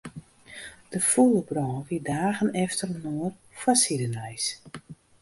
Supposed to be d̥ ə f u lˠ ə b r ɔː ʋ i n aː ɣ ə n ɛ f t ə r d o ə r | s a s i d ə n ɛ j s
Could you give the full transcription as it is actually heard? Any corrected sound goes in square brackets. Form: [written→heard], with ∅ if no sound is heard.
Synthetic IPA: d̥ ə f u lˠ ə b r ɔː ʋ i [n→d] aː ɣ ə n ɛ f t ə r [d→n] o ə r | [s→f] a s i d ə n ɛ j s